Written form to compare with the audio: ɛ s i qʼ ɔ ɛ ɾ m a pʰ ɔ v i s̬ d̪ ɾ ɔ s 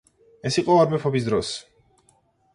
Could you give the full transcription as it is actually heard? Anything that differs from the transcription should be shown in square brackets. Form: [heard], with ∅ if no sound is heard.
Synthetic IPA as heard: ɛ s i qʼ ɔ [a] ɾ m [ɛ] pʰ ɔ [b] i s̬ d̪ ɾ ɔ s